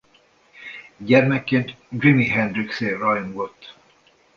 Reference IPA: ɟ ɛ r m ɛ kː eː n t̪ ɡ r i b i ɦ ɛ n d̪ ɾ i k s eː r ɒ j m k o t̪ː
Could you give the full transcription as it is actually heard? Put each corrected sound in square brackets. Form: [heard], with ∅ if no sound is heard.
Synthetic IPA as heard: ɟ ɛ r m ɛ kː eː n t̪ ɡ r i [m] i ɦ ɛ n d̪ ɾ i k s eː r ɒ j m [ɡ] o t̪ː

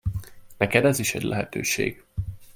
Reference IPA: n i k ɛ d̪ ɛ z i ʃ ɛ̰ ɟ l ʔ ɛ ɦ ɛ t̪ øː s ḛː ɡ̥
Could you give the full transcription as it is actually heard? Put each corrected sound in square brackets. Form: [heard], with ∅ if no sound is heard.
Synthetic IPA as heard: n [ɛ] k ɛ d̪ ɛ z i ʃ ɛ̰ ɟ l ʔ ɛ ɦ ɛ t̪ øː [ʃ] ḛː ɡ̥

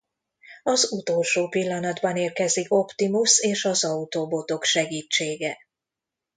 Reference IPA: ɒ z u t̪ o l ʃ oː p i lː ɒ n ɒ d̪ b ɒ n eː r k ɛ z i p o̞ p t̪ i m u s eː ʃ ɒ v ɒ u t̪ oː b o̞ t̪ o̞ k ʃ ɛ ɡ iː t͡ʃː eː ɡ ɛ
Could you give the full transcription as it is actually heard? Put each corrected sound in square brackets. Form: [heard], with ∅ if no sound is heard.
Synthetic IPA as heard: ɒ z u t̪ o l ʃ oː p i lː ɒ n ɒ d̪ b ɒ n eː r k ɛ z i [k] o̞ p t̪ i m u s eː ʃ ɒ [z] ɒ u t̪ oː b o̞ t̪ o̞ k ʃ ɛ ɡ iː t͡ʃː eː ɡ ɛ

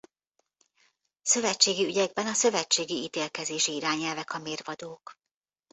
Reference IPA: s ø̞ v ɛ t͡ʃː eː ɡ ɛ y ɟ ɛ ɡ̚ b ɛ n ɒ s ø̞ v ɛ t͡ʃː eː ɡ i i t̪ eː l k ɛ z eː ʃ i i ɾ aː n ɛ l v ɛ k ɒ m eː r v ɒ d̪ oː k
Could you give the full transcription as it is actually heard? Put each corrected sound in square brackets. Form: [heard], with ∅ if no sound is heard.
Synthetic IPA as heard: s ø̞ v ɛ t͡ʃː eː ɡ [i] y ɟ ɛ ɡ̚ b ɛ n ɒ s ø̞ v ɛ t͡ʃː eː ɡ i i t̪ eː l k ɛ z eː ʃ i i ɾ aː [ɲ] ɛ l v ɛ k ɒ m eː r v ɒ d̪ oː k

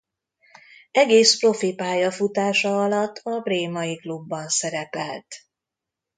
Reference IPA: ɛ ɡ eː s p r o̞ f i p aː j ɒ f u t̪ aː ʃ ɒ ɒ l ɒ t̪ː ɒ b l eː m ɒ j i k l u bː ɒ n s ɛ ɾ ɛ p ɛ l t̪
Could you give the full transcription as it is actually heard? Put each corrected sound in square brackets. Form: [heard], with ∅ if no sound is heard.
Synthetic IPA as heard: ɛ ɡ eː s p r o̞ f i p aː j ɒ f u t̪ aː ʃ ɒ ɒ l ɒ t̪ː ɒ b [r] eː m ɒ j i k l u bː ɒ n s ɛ ɾ ɛ p ɛ l t̪

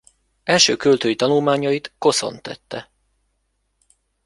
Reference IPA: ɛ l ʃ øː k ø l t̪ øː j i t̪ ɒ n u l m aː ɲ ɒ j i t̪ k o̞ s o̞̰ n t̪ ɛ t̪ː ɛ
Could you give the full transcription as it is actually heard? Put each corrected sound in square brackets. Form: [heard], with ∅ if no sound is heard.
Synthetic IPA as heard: ɛ l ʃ øː k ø l t̪ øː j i t̪ ɒ n u l m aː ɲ ɒ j i t̪ k o̞ s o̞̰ n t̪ ɛ t̪ː ɛ

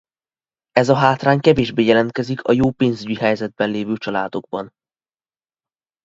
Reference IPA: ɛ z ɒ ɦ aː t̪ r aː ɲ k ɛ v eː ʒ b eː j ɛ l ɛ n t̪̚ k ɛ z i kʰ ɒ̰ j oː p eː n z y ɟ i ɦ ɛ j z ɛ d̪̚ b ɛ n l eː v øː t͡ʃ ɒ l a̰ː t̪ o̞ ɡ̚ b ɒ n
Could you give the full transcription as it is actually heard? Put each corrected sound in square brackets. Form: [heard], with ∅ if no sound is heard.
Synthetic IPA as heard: ɛ z ɒ ɦ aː t̪ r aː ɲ k ɛ v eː ʒ b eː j ɛ l ɛ n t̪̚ k ɛ z i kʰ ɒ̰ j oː p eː n z y ɟ i ɦ ɛ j z ɛ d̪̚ b ɛ n l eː v øː t͡ʃ ɒ l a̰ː [d̪] o̞ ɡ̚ b ɒ n

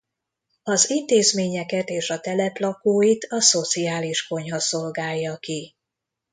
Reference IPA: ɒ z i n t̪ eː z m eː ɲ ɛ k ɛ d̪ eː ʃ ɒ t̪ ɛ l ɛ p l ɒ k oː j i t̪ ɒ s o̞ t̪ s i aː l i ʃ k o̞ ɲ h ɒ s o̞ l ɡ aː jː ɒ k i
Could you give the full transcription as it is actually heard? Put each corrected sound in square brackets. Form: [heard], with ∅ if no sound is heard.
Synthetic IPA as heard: ɒ z i n t̪ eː z m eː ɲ ɛ k ɛ [t̪] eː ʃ ɒ t̪ ɛ l ɛ p l ɒ k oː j i t̪ ɒ s o̞ t̪ s i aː l i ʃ k o̞ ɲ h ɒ s o̞ l ɡ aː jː ɒ k i

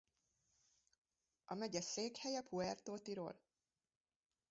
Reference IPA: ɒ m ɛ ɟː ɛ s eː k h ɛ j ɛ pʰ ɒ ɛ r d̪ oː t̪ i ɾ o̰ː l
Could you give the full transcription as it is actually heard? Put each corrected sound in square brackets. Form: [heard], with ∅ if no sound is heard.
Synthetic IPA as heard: ɒ m ɛ [ɟ] ɛ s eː k h ɛ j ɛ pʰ [u] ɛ r [t̪] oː t̪ i ɾ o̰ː l

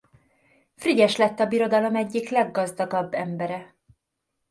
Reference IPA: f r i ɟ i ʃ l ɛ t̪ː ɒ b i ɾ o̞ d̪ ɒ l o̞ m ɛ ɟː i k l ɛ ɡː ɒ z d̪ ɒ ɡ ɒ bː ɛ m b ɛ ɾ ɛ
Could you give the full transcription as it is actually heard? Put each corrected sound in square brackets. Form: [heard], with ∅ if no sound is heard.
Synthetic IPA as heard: f r i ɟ [ɛ] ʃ l ɛ t̪ː ɒ b i ɾ o̞ d̪ ɒ l o̞ m ɛ ɟː i k l ɛ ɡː ɒ z d̪ ɒ ɡ ɒ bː ɛ m b ɛ ɾ ɛ

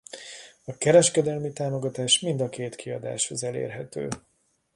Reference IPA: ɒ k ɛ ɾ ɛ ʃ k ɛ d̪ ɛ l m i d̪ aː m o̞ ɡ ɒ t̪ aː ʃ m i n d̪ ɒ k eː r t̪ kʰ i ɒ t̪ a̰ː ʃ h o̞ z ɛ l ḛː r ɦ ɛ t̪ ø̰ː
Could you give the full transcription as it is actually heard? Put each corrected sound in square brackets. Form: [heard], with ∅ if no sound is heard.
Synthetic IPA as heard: ɒ k ɛ ɾ ɛ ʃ k ɛ d̪ ɛ l m i [t̪] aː m o̞ ɡ ɒ t̪ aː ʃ m i n d̪ ɒ k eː [∅] t̪ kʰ i ɒ [d̪] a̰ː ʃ h o̞ z ɛ l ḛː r ɦ ɛ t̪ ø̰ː

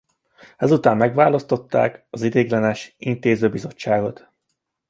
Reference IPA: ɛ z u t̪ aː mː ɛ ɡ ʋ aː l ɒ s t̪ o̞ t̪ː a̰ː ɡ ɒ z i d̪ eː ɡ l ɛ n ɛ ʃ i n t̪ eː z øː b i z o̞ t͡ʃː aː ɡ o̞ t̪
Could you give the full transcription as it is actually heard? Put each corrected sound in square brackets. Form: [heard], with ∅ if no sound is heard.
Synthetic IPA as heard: ɛ z u t̪ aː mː ɛ ɡ ʋ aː l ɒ s t̪ o̞ t̪ː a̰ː [k] ɒ z i d̪ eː ɡ l ɛ n ɛ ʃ i n t̪ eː z øː b i z o̞ t͡ʃː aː ɡ o̞ t̪

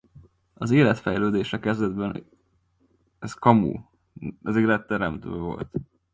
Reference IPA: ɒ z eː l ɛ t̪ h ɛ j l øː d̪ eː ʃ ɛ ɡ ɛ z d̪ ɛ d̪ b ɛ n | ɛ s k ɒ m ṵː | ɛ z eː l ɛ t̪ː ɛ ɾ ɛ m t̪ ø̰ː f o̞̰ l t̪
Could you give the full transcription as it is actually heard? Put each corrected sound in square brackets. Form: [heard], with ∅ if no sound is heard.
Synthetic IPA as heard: ɒ z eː l ɛ t̪ [f] ɛ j l øː d̪ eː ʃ ɛ [k] ɛ z d̪ ɛ d̪ b ɛ n | ɛ s k ɒ m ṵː | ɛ z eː l ɛ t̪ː ɛ ɾ ɛ m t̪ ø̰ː [v] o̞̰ l t̪

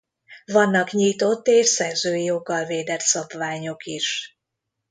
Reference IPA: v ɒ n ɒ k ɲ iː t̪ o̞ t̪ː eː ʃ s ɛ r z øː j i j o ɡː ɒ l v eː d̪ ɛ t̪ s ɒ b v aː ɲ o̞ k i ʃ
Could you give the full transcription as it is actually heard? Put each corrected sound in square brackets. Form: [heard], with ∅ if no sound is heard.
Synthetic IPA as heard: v ɒ [nː] ɒ k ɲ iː t̪ o̞ t̪ː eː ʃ s ɛ r z øː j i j o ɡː ɒ l v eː d̪ ɛ t̪ s ɒ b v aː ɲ o̞ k i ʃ

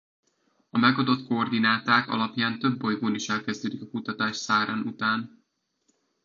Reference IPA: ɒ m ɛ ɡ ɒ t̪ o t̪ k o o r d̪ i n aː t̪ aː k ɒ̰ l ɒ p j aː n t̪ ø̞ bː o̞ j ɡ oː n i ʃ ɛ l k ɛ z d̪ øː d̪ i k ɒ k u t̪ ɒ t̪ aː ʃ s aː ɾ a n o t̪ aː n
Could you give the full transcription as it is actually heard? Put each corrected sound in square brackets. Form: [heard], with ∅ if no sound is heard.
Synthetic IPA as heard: ɒ m ɛ ɡ ɒ [d̪] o t̪ k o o r d̪ i n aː t̪ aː k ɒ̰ l ɒ p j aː n t̪ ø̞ bː o̞ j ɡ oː n i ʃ ɛ l k ɛ z d̪ øː d̪ i k ɒ k u t̪ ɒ t̪ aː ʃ s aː ɾ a n [u] t̪ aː n

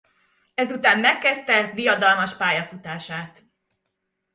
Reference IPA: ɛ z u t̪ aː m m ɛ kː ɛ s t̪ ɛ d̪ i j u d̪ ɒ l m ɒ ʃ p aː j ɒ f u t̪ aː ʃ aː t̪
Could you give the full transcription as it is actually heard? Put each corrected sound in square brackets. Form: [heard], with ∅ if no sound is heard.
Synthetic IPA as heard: ɛ z u t̪ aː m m ɛ kː ɛ s t̪ ɛ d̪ i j [ɒ] d̪ ɒ l m ɒ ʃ p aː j ɒ f u t̪ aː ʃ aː t̪

